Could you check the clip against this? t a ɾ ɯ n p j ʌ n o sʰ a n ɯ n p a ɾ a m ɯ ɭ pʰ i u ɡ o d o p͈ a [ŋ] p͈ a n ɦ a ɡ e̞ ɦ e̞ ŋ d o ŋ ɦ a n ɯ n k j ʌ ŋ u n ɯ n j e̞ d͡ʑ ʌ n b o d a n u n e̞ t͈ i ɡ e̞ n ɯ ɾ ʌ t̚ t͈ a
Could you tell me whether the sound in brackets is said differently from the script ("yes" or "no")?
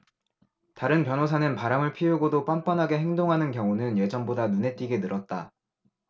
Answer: yes